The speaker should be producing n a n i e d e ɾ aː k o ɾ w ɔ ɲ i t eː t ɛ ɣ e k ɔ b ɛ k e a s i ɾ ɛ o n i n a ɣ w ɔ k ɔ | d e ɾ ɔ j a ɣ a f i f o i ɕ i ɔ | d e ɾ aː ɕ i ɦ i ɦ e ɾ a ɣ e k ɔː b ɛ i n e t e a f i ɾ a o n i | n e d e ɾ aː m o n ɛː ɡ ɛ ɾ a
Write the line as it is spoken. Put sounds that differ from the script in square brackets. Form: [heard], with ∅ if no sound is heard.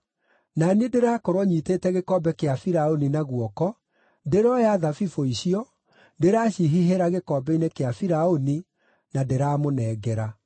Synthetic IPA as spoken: n a n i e d e ɾ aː k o ɾ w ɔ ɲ i t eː t ɛ ɣ e k ɔ b ɛ k e a [f] i ɾ [a] o n i n a ɣ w ɔ k ɔ | d e ɾ ɔ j a [ð] a f i f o i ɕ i ɔ | d e ɾ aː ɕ i ɦ i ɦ e ɾ a ɣ e k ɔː b ɛ i n e [k] e a f i ɾ a o n i | n [a] d e ɾ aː m o n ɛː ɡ ɛ ɾ a